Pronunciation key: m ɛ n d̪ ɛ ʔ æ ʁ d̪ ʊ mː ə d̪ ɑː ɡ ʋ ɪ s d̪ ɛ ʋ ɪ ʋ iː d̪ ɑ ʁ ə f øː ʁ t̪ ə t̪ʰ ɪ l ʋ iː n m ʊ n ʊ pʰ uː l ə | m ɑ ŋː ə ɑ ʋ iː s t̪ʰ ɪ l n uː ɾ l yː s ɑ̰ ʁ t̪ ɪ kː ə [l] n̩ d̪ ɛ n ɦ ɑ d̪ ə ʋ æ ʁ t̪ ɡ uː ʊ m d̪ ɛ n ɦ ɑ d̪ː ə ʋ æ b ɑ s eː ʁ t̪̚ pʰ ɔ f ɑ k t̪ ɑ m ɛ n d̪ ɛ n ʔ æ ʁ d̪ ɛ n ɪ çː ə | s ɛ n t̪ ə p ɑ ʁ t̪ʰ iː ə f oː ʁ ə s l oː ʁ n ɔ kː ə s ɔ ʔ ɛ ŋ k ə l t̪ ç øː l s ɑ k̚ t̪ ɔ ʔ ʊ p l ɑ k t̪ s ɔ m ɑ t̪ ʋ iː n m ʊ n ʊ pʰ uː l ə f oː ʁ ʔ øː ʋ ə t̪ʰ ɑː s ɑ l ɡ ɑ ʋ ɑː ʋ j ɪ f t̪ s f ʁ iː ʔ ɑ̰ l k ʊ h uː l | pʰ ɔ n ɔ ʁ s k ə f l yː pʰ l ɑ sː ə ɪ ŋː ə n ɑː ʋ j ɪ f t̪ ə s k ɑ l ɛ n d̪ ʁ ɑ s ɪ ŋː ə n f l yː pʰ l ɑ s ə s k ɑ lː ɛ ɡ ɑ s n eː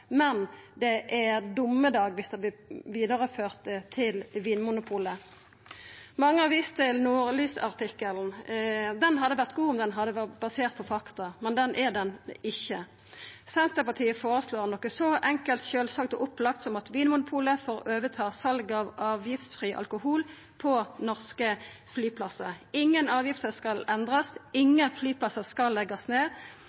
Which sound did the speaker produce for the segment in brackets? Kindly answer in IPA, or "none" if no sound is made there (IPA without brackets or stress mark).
l